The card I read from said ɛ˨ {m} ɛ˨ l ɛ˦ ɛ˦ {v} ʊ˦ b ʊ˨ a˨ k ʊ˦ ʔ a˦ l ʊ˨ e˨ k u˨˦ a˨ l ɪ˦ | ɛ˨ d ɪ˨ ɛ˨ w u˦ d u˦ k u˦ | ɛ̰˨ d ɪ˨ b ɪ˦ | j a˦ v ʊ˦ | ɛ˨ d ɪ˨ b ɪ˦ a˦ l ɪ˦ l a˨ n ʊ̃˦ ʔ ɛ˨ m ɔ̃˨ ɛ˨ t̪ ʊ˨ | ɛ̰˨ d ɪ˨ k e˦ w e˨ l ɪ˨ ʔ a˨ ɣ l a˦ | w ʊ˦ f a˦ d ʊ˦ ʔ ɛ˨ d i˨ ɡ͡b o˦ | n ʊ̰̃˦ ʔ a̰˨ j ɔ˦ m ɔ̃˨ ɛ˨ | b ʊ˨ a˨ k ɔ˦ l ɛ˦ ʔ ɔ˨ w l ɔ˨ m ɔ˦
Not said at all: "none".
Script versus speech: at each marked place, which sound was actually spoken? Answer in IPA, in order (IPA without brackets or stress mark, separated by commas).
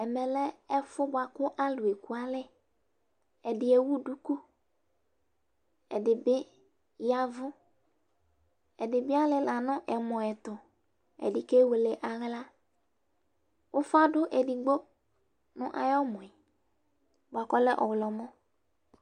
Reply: m, f